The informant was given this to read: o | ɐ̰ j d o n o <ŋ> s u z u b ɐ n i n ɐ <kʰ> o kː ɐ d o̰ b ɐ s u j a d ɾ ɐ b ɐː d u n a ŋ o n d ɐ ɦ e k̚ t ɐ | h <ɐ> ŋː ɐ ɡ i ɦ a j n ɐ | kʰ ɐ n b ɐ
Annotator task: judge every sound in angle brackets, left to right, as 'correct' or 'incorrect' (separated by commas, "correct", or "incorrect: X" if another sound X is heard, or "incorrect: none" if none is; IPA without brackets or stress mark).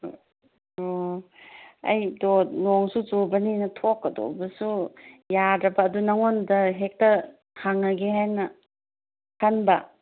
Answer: correct, incorrect: tʰ, incorrect: a